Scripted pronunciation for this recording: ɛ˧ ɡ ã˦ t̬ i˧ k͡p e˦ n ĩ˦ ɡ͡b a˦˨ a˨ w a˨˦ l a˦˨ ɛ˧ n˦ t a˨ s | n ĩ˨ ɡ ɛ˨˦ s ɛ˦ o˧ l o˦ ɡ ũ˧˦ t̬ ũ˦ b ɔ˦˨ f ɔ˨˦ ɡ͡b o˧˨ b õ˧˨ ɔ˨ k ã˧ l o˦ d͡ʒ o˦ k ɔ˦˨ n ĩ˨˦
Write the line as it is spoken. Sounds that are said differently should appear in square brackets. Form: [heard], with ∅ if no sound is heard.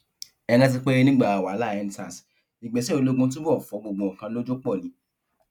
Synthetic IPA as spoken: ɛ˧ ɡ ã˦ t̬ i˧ k͡p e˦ n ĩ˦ ɡ͡b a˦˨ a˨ w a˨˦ l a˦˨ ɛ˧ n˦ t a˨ s | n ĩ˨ [ɡ͡b] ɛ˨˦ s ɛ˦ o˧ l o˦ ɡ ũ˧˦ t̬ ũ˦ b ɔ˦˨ f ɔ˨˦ ɡ͡b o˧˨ [ɡ͡b] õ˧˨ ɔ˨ k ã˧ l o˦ d͡ʒ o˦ [k͡p] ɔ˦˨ n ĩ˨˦